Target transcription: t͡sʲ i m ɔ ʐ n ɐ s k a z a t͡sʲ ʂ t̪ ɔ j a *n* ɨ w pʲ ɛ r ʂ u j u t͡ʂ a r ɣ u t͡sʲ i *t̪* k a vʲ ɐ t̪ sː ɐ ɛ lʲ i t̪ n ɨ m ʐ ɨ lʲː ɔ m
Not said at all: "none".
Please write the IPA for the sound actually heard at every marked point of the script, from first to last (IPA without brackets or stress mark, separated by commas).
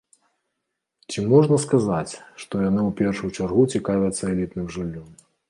n, none